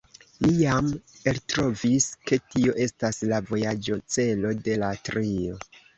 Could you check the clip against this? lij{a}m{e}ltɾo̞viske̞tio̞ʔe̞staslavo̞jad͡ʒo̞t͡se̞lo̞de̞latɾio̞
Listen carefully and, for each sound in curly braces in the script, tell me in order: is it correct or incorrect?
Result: correct, correct

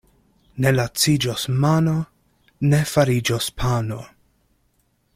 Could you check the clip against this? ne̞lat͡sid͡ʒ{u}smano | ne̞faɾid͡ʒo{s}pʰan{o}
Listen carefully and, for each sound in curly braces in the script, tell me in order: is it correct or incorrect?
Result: incorrect: o, correct, correct

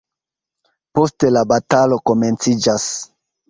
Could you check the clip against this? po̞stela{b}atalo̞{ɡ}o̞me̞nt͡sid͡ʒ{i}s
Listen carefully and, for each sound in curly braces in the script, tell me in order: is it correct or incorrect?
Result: correct, incorrect: k, incorrect: a

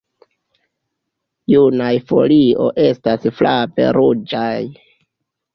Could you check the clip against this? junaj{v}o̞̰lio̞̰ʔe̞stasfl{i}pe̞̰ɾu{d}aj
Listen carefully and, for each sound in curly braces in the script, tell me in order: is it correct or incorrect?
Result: incorrect: f, incorrect: a, incorrect: d͡ʒ

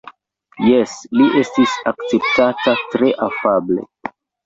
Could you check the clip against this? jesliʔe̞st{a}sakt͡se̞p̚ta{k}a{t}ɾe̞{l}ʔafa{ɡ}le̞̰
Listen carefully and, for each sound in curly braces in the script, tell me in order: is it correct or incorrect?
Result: incorrect: i, incorrect: t, correct, incorrect: none, incorrect: b

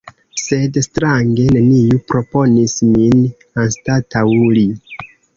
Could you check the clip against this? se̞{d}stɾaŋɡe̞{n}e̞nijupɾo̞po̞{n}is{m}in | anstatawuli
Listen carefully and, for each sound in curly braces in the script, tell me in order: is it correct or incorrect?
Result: correct, correct, correct, correct

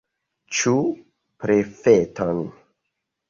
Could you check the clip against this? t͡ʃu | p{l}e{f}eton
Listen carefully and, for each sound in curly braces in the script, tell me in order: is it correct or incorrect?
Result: incorrect: ɾ, correct

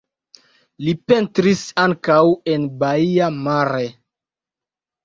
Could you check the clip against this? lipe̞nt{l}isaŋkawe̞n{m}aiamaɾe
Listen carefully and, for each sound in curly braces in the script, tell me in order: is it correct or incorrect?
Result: incorrect: ɾ, incorrect: b

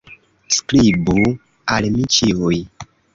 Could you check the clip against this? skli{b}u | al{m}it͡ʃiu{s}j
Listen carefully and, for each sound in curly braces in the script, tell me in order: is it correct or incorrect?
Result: correct, correct, incorrect: none

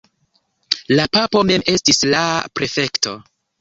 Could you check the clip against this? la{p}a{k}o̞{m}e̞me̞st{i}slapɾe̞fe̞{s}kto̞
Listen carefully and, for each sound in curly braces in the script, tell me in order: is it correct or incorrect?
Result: correct, incorrect: p, correct, correct, incorrect: none

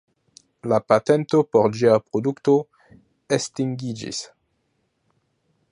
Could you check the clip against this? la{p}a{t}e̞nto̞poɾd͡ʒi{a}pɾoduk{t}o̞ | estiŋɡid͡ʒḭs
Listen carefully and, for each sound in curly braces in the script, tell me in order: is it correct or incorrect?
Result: correct, correct, correct, correct

